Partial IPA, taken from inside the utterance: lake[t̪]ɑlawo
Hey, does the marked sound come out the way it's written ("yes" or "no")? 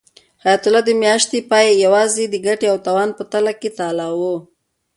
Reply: yes